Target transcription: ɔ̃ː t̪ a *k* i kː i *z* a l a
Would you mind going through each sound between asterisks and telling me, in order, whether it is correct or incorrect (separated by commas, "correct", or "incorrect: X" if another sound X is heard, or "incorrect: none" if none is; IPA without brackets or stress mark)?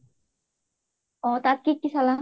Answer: correct, incorrect: s